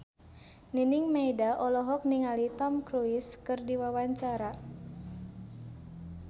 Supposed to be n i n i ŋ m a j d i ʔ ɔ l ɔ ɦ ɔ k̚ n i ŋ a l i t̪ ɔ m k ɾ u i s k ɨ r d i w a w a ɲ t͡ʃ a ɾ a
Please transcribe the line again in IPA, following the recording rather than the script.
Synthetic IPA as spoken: n i n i ŋ m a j d a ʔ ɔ l ɔ ɦ ɔ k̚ n i ŋ a l i t̪ ɔ m k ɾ u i s k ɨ r d i w a w a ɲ t͡ʃ a ɾ a

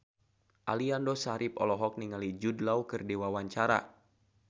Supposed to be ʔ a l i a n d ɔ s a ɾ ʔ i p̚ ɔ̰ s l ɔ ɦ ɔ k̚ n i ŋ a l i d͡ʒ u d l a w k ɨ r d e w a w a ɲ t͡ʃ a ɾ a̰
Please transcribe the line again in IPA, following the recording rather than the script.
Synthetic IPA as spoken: ʔ a l i a n d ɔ s a ɾ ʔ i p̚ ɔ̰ l ɔ ɦ ɔ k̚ n i ŋ a l i d͡ʒ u d l a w k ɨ r d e w a w a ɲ t͡ʃ a ɾ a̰

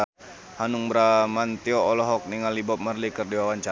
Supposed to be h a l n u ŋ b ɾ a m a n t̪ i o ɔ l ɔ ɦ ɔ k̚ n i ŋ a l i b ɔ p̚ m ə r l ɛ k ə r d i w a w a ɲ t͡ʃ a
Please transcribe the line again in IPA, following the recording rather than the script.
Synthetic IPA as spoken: h a n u ŋ b ɾ a m a n t̪ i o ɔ l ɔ ɦ ɔ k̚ n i ŋ a l i b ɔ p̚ m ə r l i k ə r d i w a w a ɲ t͡ʃ a

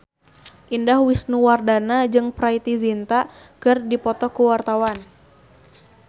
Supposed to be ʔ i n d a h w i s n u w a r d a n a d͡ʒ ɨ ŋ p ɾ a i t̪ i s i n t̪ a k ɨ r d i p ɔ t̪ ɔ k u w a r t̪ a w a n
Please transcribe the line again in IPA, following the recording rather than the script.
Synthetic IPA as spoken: ʔ i n d a h w i s n u w a r d a n a d͡ʒ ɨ ŋ p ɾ a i t̪ i z i n t̪ a k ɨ r d i p ɔ t̪ ɔ k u w a r t̪ a w a n

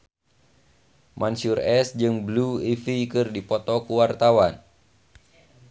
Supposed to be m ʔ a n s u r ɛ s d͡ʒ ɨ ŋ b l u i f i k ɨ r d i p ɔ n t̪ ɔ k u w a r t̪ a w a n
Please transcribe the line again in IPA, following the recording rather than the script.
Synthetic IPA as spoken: m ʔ a n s u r ɛ s d͡ʒ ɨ ŋ b l u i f i k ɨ r d i p ɔ t̪ ɔ k u w a r t̪ a w a n

